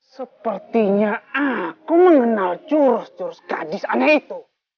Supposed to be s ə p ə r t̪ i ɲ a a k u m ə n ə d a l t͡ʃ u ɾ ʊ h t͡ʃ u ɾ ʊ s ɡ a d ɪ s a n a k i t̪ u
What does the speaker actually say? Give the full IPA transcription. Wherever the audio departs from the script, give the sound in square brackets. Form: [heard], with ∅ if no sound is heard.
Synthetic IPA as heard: s ə p ə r t̪ i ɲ a a k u m ə [ŋ] ə [n] a l t͡ʃ u ɾ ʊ [s] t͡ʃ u ɾ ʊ s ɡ a d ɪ s a n a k i t̪ u